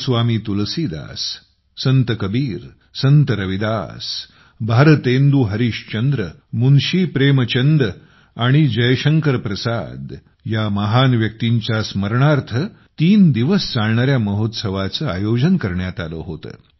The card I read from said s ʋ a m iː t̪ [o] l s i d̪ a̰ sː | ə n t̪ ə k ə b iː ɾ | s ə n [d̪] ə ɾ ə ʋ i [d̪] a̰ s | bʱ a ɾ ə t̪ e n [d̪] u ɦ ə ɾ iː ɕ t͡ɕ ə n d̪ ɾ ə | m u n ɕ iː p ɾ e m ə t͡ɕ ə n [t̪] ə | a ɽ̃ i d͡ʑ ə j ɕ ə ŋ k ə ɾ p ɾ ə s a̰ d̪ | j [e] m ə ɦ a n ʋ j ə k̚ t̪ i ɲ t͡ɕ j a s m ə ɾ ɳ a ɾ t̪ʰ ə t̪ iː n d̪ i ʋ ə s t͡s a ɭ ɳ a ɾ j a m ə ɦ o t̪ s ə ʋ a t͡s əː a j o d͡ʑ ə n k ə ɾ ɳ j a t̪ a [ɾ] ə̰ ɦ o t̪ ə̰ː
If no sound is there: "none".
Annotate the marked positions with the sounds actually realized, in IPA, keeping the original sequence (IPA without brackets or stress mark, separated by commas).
u, t̪, d̪, d̪, d̪, a, l